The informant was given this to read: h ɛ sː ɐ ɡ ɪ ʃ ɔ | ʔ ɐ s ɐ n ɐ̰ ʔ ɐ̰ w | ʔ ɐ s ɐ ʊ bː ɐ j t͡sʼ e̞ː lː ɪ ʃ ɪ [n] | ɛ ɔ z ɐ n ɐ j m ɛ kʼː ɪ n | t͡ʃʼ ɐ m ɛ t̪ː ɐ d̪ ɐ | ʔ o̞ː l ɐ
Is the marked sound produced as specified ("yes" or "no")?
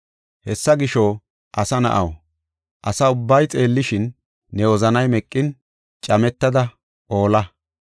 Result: no